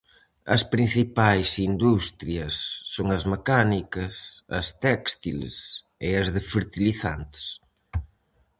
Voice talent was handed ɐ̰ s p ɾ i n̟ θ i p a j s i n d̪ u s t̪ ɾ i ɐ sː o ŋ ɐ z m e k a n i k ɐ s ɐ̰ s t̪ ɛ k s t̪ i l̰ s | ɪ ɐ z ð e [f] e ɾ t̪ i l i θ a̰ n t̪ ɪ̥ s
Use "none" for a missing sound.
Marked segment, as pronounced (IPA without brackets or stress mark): f